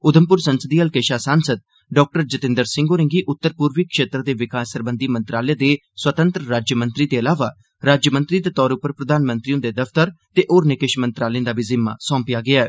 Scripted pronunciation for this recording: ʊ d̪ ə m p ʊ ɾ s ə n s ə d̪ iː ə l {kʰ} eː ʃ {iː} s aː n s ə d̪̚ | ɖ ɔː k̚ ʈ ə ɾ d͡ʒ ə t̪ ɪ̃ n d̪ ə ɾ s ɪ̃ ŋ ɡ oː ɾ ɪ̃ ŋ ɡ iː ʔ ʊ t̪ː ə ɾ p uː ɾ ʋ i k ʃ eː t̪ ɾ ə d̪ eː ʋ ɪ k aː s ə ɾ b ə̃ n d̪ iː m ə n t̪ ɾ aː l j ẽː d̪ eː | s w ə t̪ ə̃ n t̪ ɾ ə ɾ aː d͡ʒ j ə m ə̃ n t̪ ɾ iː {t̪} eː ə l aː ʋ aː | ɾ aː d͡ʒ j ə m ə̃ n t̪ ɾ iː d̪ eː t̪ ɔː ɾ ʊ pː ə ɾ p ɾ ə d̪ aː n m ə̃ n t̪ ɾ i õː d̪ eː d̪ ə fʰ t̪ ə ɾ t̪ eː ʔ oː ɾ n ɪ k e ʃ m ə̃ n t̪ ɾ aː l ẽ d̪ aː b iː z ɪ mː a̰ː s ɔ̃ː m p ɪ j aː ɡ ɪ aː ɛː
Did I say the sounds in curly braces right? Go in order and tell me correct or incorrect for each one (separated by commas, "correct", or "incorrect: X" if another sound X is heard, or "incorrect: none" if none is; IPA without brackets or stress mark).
incorrect: k, incorrect: aː, incorrect: d̪